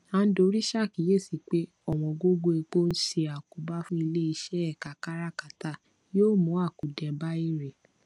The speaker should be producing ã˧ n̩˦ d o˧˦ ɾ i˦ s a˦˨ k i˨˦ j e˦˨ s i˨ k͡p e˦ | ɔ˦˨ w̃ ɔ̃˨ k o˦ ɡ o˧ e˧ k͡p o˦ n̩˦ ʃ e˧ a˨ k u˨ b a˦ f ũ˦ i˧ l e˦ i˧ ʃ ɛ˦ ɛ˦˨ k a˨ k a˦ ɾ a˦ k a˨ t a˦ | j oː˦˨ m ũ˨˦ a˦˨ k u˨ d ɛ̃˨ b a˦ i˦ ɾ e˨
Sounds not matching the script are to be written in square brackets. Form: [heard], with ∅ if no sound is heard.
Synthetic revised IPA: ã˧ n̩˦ d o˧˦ ɾ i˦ [ʃ] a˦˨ k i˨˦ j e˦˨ s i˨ k͡p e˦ | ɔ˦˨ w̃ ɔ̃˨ [ɡ] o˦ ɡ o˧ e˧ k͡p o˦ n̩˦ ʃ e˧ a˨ k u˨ b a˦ f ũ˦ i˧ l e˦ i˧ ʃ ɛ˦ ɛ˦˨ k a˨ k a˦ ɾ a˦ k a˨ t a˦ | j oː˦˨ m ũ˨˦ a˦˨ k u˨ d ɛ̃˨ b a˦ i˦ ɾ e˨

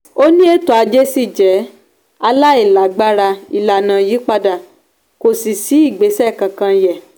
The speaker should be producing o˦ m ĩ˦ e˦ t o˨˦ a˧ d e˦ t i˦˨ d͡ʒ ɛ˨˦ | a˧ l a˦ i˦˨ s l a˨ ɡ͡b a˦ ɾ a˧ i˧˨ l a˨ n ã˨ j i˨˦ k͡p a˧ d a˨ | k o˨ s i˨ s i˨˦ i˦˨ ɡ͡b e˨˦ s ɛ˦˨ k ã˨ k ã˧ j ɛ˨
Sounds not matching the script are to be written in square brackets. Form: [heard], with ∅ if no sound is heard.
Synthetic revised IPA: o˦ [n] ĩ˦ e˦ t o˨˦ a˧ [d͡ʒ] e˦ [s] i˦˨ d͡ʒ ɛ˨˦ | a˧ l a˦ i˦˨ [∅] l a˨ ɡ͡b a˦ ɾ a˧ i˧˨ l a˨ n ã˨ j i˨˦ k͡p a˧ d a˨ | k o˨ s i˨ s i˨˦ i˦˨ ɡ͡b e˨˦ s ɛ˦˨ k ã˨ k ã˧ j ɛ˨

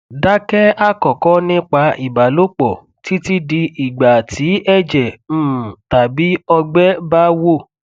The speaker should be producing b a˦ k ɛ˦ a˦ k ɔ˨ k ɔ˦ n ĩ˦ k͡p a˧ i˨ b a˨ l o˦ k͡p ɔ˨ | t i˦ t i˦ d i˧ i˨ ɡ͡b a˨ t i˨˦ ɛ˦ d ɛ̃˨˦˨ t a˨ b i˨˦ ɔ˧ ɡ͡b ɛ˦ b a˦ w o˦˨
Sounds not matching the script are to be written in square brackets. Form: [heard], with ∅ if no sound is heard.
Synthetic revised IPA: [d] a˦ k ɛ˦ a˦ k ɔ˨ k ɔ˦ n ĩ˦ k͡p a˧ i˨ b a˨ l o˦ k͡p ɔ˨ | t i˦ t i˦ d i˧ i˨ ɡ͡b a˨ t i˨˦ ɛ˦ [d͡ʒ] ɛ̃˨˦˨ t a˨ b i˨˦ ɔ˧ ɡ͡b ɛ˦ b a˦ w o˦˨

